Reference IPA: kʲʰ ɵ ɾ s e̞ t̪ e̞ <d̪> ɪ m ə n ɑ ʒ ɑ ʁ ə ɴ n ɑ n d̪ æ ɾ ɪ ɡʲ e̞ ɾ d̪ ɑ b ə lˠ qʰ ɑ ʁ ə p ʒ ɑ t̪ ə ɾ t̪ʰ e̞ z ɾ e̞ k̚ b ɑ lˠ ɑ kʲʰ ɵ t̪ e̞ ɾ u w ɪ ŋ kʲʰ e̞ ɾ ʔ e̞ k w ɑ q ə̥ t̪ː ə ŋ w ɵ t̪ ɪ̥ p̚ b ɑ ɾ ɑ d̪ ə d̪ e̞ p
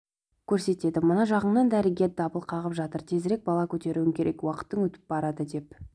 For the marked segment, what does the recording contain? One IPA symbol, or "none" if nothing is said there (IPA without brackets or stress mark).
d̪